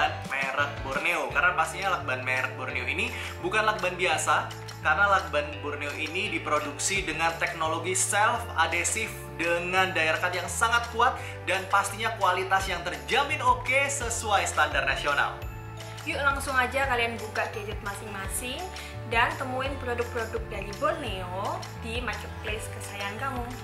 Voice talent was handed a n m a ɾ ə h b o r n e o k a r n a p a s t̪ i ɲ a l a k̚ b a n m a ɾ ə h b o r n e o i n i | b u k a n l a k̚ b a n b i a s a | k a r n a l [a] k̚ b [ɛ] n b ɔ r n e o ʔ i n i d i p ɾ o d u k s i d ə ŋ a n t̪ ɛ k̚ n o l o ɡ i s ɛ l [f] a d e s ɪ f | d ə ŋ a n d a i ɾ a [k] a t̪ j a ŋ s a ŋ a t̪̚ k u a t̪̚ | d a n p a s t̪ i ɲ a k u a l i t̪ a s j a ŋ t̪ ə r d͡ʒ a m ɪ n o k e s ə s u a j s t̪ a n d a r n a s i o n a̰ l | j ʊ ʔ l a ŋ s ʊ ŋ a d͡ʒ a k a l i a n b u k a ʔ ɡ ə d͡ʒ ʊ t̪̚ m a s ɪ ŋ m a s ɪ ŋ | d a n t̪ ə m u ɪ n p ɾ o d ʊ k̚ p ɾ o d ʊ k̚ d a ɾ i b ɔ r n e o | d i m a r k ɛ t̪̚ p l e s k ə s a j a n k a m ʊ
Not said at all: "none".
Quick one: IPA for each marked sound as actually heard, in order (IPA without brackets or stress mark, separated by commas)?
a, a, f, k